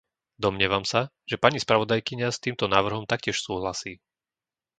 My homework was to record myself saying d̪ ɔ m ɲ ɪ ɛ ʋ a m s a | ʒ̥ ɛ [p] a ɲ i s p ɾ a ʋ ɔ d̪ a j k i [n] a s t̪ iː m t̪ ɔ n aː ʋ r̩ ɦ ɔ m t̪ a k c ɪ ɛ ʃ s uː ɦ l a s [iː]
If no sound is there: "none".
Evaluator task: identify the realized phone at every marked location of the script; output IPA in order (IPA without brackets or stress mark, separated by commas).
p, ɲ, iː